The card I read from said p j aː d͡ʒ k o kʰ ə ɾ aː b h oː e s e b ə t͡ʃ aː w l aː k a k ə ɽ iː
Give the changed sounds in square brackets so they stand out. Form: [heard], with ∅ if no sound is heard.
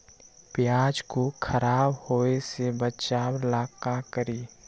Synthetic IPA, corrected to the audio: p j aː d͡ʒ k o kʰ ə ɾ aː b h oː e s e b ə t͡ʃ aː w l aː k a k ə [ɾ] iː

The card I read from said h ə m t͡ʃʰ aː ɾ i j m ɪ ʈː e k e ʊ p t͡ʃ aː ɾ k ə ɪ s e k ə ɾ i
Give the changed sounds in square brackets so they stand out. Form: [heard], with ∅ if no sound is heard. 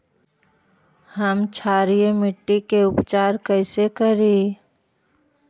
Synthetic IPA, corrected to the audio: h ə m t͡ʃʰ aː ɾ i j m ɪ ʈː [i] k e ʊ p t͡ʃ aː ɾ k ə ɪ s e k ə ɾ i

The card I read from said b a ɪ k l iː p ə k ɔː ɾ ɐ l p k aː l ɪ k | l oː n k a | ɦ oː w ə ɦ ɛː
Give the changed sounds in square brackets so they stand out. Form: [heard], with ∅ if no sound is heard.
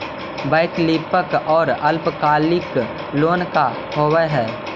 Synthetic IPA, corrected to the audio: b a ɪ k l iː p ə k ɔː ɾ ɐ l p k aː l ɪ k | l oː n k a | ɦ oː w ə ɦ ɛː

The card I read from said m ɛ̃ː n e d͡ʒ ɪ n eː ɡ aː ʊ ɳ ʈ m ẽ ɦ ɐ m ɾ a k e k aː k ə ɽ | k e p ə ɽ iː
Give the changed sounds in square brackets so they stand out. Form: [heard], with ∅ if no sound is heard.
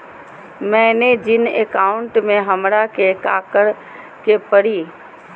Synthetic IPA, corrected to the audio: m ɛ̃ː n e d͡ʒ ɪ n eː [k] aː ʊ ɳ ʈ m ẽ ɦ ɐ m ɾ a k e k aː k ə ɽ | k e p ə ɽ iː

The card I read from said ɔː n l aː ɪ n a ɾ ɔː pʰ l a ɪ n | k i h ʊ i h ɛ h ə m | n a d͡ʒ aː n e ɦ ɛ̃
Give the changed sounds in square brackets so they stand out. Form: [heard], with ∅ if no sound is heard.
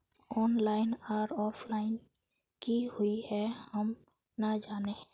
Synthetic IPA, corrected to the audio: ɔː n l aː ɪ n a ɾ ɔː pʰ l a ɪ n | k i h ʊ i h ɛ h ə m | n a d͡ʒ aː n e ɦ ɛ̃

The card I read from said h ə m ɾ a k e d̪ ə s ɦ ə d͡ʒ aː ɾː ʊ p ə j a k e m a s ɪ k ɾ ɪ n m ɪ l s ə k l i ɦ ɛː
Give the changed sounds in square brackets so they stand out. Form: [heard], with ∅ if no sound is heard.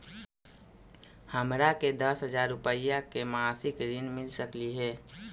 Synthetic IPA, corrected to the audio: h ə m ɾ a k e d̪ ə s ɦ ə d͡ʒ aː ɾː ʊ p ə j a k e m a s ɪ k ɾ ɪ n m ɪ l s ə k l i ɦ ɛː

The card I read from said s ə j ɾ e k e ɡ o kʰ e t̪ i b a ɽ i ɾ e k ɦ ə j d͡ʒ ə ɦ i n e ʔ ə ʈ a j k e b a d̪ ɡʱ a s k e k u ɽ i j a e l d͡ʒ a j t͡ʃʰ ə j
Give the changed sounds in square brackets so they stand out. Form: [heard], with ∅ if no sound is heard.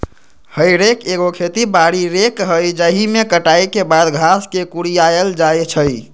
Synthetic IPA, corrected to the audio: [h] ə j ɾ e k e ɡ o kʰ e t̪ i b a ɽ i ɾ e k ɦ ə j d͡ʒ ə ɦ i [m] e [k] ə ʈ a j k e b a d̪ ɡʱ a s k e k u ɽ i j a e l d͡ʒ a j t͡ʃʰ ə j

